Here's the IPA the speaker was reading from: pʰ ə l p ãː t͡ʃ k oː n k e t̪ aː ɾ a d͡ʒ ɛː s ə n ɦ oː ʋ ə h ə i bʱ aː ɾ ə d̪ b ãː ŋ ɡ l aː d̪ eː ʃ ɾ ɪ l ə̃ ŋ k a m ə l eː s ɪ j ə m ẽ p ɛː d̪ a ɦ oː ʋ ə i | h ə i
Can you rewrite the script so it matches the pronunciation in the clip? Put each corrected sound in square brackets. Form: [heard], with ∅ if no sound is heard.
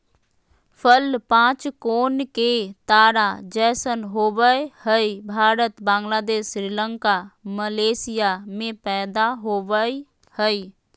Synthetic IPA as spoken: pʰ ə l p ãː t͡ʃ k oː n k e t̪ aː ɾ a d͡ʒ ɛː s ə n ɦ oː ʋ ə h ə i bʱ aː ɾ ə [t̪] b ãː ŋ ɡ l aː d̪ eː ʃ ɾ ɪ l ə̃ ŋ k a m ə l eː s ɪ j [a] m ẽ p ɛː d̪ a ɦ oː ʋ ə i | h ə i

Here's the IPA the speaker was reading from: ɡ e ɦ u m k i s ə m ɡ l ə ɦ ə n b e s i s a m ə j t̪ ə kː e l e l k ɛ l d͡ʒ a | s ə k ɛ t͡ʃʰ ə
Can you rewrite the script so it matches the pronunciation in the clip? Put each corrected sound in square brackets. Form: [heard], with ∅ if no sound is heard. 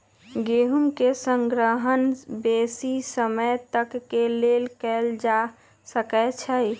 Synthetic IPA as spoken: ɡ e ɦ u m k [e] s ə [ŋ] ɡ [ɾ] ə ɦ ə n b e s i s [ə] m ə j t̪ ə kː e l e l k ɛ l d͡ʒ a | s ə k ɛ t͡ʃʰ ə

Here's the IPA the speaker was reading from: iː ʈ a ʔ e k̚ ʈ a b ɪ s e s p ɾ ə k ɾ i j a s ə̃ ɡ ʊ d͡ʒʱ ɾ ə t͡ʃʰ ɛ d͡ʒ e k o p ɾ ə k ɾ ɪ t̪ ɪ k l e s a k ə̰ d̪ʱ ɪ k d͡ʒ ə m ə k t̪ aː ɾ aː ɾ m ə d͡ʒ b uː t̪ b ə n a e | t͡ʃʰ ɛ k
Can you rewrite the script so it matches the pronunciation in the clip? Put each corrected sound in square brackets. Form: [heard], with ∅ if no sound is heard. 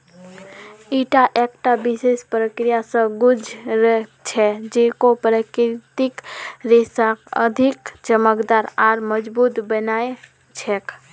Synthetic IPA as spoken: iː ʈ a ʔ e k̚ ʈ a b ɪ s e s p ɾ ə k ɾ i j a s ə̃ ɡ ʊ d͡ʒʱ ɾ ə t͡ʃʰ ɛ d͡ʒ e k o p ɾ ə k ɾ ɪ t̪ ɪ k [ɾ] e s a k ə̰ d̪ʱ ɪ k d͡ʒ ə m ə k [d̪] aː ɾ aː ɾ m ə d͡ʒ b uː t̪ b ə n a e | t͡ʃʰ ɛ k

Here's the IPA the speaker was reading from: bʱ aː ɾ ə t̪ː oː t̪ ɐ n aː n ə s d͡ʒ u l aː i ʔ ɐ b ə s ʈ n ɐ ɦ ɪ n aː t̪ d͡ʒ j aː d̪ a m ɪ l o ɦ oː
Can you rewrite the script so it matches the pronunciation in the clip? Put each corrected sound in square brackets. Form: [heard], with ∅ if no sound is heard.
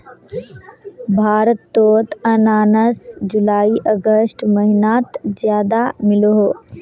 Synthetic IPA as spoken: bʱ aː ɾ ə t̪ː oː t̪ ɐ n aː n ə s d͡ʒ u l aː i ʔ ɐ [ɡ] ə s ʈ [m] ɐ ɦ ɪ n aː t̪ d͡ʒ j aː d̪ a m ɪ l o ɦ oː

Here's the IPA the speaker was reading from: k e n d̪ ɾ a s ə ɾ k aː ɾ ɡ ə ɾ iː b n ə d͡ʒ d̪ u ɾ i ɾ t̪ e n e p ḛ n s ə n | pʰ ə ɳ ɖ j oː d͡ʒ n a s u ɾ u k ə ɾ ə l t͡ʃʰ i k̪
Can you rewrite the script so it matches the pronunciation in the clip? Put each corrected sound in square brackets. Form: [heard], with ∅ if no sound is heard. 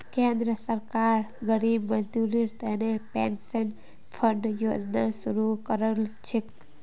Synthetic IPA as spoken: k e n d̪ ɾ [ə] s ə ɾ k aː ɾ ɡ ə ɾ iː b [m] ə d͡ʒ d̪ u ɾ i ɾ t̪ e n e p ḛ n s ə n | pʰ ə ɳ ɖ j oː d͡ʒ n a s u ɾ u k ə ɾ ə l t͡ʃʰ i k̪

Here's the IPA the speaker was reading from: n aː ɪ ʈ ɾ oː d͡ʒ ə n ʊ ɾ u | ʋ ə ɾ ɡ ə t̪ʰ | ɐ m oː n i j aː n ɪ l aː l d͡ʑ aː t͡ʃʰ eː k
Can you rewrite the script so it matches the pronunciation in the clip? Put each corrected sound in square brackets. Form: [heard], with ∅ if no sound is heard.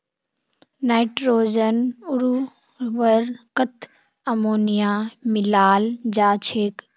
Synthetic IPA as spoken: n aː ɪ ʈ ɾ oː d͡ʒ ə n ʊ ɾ u | ʋ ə ɾ [k] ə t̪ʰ | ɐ m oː n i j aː [m] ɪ l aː l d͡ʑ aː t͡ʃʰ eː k

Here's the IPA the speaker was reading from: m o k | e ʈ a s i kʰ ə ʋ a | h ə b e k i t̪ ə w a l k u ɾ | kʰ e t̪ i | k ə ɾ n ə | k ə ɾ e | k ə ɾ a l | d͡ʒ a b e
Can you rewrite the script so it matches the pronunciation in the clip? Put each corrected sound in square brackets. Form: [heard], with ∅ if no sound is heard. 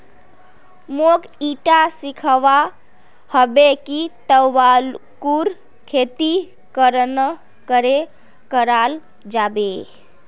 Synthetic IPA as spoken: m o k | [i] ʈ a s i kʰ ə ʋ a | h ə b e k i t̪ ə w a l k u ɾ | kʰ e t̪ i | k ə ɾ n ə | k ə ɾ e | k ə ɾ a l | d͡ʒ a b e

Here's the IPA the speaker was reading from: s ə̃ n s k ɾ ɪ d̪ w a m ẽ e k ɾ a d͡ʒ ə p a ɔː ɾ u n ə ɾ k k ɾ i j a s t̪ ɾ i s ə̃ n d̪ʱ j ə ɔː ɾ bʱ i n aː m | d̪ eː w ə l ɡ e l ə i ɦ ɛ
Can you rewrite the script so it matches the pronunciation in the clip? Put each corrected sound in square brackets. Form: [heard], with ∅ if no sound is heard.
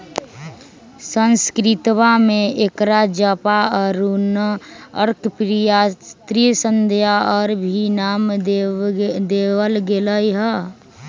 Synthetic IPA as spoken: s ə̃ n s k ɾ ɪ [t̪] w a m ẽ e k ɾ a d͡ʒ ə p a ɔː ɾ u n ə ɾ k [p] ɾ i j a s t̪ ɾ i s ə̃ n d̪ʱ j [a] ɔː ɾ bʱ i n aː m | d̪ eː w ə l ɡ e l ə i ɦ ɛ

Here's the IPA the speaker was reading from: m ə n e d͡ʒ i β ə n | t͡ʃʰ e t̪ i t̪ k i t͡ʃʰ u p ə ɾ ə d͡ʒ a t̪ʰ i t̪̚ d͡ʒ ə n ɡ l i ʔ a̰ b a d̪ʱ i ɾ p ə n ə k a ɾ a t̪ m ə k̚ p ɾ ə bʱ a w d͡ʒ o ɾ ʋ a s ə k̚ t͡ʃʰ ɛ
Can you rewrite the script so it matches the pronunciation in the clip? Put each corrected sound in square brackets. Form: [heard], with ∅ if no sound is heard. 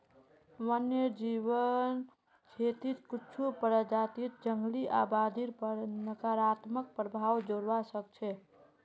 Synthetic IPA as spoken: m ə n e d͡ʒ i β ə n | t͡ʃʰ e t̪ i t̪ k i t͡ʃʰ u p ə ɾ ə d͡ʒ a [t̪] i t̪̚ d͡ʒ ə [ŋ] ɡ l i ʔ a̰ b a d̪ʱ i ɾ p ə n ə k a ɾ a t̪ m ə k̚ p ɾ ə bʱ a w d͡ʒ o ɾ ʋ a s ə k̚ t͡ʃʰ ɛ

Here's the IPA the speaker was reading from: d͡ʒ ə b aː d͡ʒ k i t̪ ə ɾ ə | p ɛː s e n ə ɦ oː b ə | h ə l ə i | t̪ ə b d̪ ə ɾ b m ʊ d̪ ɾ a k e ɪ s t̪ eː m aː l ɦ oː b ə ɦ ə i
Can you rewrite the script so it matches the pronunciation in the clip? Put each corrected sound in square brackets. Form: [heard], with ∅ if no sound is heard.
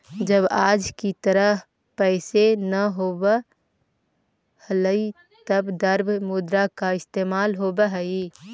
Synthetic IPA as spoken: d͡ʒ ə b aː d͡ʒ k i t̪ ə ɾ ə | p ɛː s e n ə ɦ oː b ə | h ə l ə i | t̪ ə b d̪ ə ɾ b m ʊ d̪ ɾ a k [a] ɪ s t̪ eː m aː l ɦ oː b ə ɦ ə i

